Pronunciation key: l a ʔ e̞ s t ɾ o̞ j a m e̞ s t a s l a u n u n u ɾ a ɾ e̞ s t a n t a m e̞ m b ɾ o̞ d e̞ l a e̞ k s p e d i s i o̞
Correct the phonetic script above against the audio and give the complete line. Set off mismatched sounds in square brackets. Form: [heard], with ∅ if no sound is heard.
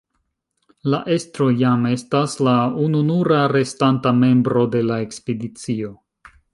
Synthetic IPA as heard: l a ʔ e̞ s t ɾ o̞ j a m e̞ s t a s l a u n u n u ɾ a ɾ e̞ s t a n t a m e̞ m b ɾ o̞ d e̞ l a e̞ k s p e d i [t͡s] i o̞

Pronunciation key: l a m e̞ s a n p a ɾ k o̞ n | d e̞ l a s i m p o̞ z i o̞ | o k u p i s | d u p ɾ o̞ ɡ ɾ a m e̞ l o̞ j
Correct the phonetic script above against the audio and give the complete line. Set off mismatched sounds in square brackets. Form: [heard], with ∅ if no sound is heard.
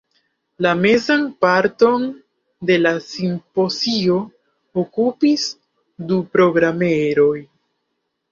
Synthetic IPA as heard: l a m e̞ [z] a n p a ɾ [t] o̞ n | d e̞ l a s i m p o̞ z i o̞ | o k u p i s | d u p ɾ o̞ ɡ ɾ a m e̞ [ɾ] o̞ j

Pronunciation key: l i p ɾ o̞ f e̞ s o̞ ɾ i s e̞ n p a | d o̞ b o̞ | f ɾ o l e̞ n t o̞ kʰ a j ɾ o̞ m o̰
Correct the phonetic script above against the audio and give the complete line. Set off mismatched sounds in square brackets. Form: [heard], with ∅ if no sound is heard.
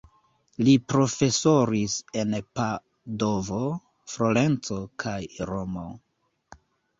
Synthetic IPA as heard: l i p ɾ o̞ f e̞ s o̞ ɾ i s e̞ n p a | d o̞ [v] o̞ | f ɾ o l e̞ n [t͡s] o̞ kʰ a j ɾ o̞ m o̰

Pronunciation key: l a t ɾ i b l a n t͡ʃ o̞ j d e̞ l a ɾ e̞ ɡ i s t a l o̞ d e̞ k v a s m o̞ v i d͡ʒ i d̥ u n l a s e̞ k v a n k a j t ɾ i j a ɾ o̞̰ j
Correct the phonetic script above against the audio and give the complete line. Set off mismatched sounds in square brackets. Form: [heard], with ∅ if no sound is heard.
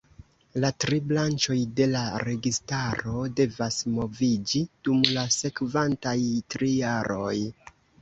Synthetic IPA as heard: l a t ɾ i b l a n t͡ʃ o̞ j d e̞ l a ɾ e̞ ɡ i s t a [ɾ] o̞ d e̞ [∅] v a s m o̞ v i d͡ʒ i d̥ u [m] l a s e̞ k v a n [t] a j t ɾ i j a ɾ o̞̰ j

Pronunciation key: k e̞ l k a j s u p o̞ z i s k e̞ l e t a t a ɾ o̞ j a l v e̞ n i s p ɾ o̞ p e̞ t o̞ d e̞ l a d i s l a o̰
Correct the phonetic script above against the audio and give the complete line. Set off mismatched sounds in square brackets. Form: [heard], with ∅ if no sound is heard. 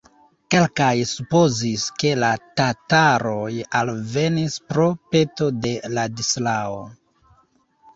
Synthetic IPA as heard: k e̞ l k a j s u p o̞ z i s k e̞ l [a] t a t a ɾ o̞ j a l v e̞ n i s p ɾ o̞ p e̞ t o̞ d e̞ l a d i s l a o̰

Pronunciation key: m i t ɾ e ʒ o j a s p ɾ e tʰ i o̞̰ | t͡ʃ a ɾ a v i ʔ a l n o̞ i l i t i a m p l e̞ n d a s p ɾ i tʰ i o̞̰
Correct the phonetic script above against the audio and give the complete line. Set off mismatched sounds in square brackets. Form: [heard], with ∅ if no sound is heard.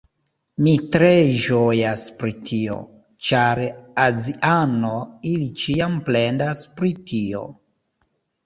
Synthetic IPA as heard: m i t ɾ e ʒ o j a s p ɾ [i] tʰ i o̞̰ | t͡ʃ a ɾ a [z] i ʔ a [∅] n o̞ i l i [t͡ʃ] i a m p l e̞ n d a s p ɾ i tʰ i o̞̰

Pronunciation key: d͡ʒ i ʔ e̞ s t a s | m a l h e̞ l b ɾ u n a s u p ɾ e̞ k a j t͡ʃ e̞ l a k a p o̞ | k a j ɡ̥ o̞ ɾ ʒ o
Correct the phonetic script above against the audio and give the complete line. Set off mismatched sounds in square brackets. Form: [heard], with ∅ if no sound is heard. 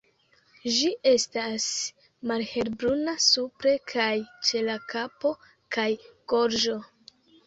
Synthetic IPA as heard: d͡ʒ i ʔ e̞ s t a s | m a l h e̞ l b ɾ u n a s u p ɾ e̞ [kʰ] a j t͡ʃ e̞ l a k a p o̞ | k a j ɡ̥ o̞ ɾ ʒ o

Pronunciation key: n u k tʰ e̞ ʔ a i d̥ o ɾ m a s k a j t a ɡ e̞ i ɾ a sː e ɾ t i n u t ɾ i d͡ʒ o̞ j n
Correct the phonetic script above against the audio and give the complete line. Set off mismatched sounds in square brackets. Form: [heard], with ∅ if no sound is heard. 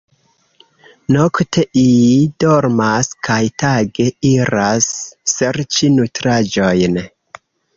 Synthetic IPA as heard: n [o] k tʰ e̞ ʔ [i] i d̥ o ɾ m a s k a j t a ɡ e̞ i ɾ a sː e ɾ [t͡ʃ] i n u t ɾ [a] d͡ʒ o̞ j n

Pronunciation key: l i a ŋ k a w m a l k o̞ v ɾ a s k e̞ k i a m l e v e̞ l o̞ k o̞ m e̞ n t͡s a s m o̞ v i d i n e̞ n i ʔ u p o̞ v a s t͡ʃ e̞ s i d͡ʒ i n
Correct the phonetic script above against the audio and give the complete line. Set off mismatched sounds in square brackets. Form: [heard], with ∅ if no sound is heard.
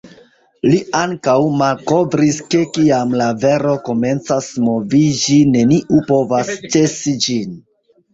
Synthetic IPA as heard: l i a ŋ k a w m a l k o̞ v ɾ [i] s k e̞ k i a m l [a] v e̞ [ɾ] o̞ k o̞ m e̞ n t͡s a s m o̞ v i [d͡ʒ] i n e̞ n i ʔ u p o̞ v a s t͡ʃ e̞ s i d͡ʒ i n

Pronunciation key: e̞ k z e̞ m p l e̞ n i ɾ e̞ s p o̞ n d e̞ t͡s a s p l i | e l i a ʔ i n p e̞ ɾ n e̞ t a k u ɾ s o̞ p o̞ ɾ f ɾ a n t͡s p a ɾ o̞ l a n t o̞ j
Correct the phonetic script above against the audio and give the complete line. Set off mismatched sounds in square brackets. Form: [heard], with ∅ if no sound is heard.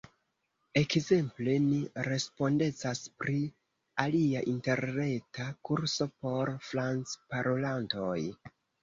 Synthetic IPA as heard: e̞ k z e̞ m p l e̞ n i ɾ e̞ s p o̞ n d e̞ t͡s a s p [ɾ] i | [a] l i a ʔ i n [t] e̞ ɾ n e̞ t a k u ɾ s o̞ p o̞ ɾ f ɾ a n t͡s p a ɾ o̞ l a n t o̞ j

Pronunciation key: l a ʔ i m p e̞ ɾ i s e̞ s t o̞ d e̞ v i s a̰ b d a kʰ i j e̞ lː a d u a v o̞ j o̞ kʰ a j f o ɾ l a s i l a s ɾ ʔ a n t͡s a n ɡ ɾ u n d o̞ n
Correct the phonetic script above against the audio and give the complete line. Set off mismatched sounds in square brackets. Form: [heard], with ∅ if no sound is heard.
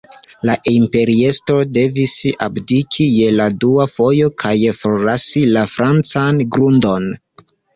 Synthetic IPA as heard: l a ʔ i m p e̞ ɾ i [∅] e̞ s t o̞ d e̞ v i s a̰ b d [i] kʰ i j e̞ [l] a d u a [f] o̞ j o̞ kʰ a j f o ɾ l a s i l a [f] ɾ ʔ a n t͡s a n ɡ ɾ u n d o̞ n

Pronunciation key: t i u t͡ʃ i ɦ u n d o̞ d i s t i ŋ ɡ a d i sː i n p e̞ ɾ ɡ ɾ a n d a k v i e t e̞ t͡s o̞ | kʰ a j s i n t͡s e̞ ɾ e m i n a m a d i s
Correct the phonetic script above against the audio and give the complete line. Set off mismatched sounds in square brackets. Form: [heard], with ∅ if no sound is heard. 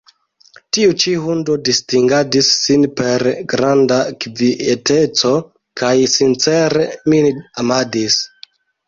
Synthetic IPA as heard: t i u t͡ʃ i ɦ u n d o̞ d i s t i ŋ ɡ a d i sː i n p e̞ ɾ ɡ ɾ a n d a k v i e t e̞ t͡s o̞ | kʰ a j s i n t͡s e̞ ɾ e m i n a m a d i s

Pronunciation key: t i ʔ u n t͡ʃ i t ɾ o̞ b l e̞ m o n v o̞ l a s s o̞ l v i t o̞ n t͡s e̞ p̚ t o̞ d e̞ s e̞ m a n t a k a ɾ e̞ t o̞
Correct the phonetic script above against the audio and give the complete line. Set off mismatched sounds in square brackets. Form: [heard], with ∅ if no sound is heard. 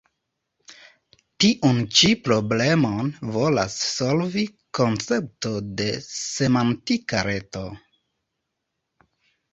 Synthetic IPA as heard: t i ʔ u n t͡ʃ i [p] ɾ o̞ b l e̞ m o n v o̞ l a s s o̞ l v i [k] o̞ n t͡s e̞ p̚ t o̞ d e̞ s e̞ m a n t [i] k a ɾ e̞ t o̞

